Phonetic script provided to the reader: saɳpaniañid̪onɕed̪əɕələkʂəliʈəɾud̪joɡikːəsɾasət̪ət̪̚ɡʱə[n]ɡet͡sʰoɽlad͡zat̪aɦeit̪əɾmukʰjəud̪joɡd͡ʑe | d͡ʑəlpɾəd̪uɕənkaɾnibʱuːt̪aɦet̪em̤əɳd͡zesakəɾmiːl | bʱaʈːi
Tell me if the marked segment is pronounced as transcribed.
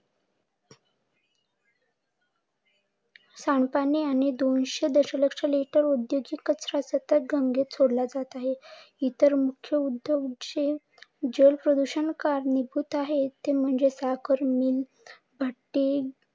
no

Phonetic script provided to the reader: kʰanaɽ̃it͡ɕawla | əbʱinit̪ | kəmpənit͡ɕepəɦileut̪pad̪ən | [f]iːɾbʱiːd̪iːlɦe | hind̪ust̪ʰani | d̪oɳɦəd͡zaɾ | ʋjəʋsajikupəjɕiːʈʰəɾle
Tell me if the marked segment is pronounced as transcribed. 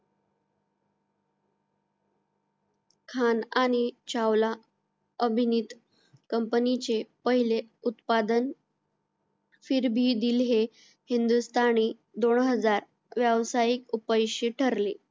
yes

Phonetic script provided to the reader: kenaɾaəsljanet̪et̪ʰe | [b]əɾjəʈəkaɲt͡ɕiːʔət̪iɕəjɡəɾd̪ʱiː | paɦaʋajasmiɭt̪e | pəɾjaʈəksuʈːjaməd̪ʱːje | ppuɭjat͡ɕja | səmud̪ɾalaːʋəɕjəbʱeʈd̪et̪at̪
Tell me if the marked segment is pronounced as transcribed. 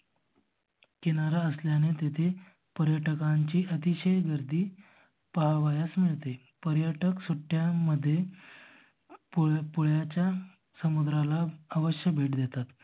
no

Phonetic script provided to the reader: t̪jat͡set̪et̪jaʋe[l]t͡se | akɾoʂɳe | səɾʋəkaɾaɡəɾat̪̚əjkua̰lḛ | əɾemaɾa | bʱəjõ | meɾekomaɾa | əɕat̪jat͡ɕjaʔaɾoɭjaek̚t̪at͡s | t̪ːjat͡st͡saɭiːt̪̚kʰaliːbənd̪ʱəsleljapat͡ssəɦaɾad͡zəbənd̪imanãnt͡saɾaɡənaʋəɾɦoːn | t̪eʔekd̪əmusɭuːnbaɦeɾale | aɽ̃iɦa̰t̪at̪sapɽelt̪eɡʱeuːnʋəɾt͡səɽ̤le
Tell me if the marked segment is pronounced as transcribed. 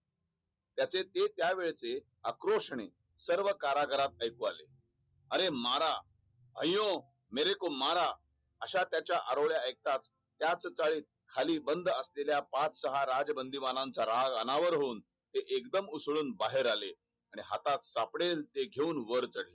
no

